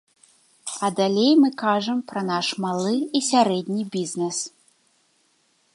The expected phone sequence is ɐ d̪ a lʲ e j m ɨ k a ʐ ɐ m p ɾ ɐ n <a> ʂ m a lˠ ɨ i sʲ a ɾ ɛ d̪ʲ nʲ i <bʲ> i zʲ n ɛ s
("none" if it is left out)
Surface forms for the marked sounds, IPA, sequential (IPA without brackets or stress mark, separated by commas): a, bʲ